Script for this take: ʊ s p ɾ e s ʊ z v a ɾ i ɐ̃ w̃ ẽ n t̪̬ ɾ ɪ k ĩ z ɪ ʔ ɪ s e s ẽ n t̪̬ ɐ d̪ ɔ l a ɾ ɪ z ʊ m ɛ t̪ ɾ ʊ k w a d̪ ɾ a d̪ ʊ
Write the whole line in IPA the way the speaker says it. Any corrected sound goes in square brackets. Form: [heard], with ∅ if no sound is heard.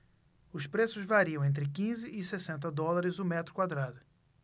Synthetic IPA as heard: ʊ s p ɾ e s ʊ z v a ɾ i ɐ̃ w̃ ẽ n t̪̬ ɾ ɪ k ĩ z ɪ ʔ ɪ s e s ẽ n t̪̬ ɐ d̪ ɔ l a ɾ ɪ z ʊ m ɛ t̪ ɾ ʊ k w a d̪ ɾ a d̪ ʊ

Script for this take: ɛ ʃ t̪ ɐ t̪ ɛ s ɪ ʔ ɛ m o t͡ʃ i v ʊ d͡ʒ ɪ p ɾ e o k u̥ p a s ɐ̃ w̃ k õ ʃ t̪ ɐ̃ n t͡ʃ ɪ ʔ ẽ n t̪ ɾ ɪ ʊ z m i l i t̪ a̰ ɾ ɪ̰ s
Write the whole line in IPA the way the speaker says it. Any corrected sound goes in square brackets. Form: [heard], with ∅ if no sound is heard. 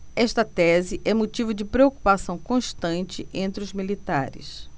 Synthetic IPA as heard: ɛ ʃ t̪ ɐ t̪ ɛ [z] ɪ ʔ ɛ m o t͡ʃ i v ʊ d͡ʒ ɪ p ɾ e o k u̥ p a s ɐ̃ w̃ k õ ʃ t̪ ɐ̃ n t͡ʃ ɪ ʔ ẽ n t̪ ɾ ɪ ʊ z m i l i t̪ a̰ ɾ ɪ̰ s

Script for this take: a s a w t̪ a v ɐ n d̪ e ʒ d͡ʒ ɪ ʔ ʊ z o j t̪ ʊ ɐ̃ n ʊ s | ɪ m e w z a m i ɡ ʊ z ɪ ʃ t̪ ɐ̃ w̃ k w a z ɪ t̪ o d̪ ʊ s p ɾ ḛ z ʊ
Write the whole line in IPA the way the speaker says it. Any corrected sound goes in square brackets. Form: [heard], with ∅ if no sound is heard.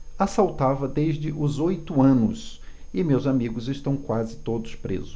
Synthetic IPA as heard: a s a w t̪ a v ɐ [∅] d̪ e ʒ d͡ʒ ɪ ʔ ʊ z o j t̪ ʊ ɐ̃ n ʊ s | ɪ m e w z a m i ɡ ʊ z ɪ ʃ t̪ ɐ̃ w̃ k w a z ɪ t̪ o d̪ ʊ s p ɾ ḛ z ʊ

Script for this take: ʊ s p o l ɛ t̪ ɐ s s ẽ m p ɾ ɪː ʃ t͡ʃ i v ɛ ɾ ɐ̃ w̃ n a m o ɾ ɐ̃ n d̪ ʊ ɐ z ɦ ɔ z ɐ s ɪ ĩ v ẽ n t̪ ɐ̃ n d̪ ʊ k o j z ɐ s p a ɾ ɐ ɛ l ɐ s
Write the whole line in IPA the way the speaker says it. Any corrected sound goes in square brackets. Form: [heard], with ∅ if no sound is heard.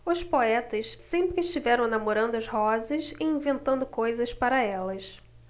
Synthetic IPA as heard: ʊ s p o [∅] ɛ t̪ ɐ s s ẽ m p ɾ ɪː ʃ t͡ʃ i v ɛ ɾ ɐ̃ w̃ n a m o ɾ ɐ̃ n d̪ ʊ ɐ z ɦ ɔ z ɐ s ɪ ĩ v ẽ n t̪ ɐ̃ n d̪ ʊ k o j z ɐ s p a ɾ ɐ ɛ l ɐ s

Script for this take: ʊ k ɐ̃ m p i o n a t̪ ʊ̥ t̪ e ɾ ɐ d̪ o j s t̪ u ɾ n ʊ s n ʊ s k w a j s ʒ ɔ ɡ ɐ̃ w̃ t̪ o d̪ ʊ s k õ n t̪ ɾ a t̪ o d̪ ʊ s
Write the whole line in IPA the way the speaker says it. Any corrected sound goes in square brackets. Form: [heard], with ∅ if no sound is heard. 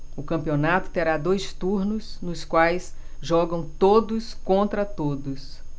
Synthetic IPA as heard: ʊ k ɐ̃ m p i o n a t̪ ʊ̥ t̪ e ɾ [a] d̪ o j s t̪ u ɾ n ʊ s n ʊ s k w a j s ʒ ɔ ɡ ɐ̃ w̃ t̪ o d̪ ʊ s k õ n t̪ ɾ [ɐ] t̪ o d̪ ʊ s

